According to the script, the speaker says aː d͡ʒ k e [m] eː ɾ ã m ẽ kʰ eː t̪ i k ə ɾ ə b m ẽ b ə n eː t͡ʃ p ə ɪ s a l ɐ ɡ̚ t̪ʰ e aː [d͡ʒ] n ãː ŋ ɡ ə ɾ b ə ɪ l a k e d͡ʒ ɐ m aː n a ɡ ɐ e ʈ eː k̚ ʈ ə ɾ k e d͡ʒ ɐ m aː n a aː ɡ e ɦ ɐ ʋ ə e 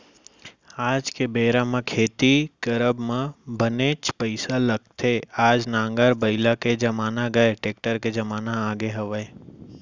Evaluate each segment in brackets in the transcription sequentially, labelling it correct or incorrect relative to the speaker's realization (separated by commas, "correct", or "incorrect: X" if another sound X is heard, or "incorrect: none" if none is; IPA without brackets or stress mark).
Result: incorrect: b, correct